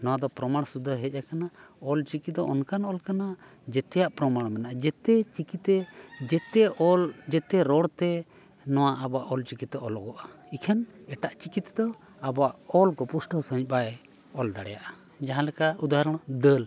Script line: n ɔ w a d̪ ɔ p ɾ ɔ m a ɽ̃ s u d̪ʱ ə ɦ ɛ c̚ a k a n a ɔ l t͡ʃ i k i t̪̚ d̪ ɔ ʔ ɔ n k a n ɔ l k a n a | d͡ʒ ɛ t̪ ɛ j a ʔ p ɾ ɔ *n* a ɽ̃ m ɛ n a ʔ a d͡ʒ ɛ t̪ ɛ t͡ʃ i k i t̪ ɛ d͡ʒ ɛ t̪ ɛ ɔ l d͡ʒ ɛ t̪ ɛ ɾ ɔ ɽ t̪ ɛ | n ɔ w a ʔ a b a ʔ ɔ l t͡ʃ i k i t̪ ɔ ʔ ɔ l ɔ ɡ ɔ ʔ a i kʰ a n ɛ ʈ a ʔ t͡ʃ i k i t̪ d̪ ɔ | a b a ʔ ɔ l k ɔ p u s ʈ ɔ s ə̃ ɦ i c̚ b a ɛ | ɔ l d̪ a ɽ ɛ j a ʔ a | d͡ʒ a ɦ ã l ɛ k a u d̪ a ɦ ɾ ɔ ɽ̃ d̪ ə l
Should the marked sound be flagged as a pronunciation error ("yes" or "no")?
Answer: yes